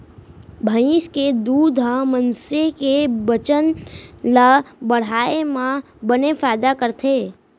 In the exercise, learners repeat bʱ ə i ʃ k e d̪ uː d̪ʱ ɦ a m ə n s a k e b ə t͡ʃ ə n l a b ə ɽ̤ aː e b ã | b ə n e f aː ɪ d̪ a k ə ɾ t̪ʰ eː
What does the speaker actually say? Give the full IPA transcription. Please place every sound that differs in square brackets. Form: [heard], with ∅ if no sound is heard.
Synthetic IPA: bʱ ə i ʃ k e d̪ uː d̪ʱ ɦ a m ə n s [e] k e b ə t͡ʃ ə n l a b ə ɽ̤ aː e [m] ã | b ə n e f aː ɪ d̪ a k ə ɾ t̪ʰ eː